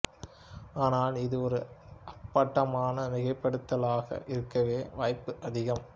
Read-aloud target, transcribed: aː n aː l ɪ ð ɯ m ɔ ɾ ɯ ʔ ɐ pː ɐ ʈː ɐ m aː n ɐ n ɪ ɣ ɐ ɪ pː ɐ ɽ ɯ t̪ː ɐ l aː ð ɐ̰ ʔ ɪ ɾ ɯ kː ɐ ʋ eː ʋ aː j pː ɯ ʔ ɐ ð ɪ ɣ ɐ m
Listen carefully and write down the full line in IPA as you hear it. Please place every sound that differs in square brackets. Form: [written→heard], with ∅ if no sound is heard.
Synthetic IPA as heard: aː n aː l ɪ ð ɯ [m→∅] ɔ ɾ ɯ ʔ ɐ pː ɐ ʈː ɐ m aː n ɐ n ɪ ɣ ɐ ɪ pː ɐ ɽ ɯ t̪ː ɐ l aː [ð→ɣ] ɐ̰ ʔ ɪ ɾ ɯ kː ɐ ʋ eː ʋ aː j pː ɯ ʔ ɐ ð ɪ ɣ ɐ m